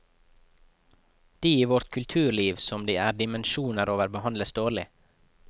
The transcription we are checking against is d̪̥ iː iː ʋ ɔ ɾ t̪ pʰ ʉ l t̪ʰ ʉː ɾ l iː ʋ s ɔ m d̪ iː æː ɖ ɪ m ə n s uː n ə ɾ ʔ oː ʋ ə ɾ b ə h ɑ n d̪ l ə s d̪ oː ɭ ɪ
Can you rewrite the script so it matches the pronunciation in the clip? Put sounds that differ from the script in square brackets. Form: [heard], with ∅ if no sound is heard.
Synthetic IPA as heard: d̪̥ iː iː ʋ ɔ ɾ t̪ [kʰ] ʉ l t̪ʰ ʉː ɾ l iː ʋ s ɔ m d̪ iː æː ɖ ɪ m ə n [ʃ] uː n ə ɾ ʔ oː ʋ ə ɾ b ə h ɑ n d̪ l ə s d̪ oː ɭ ɪ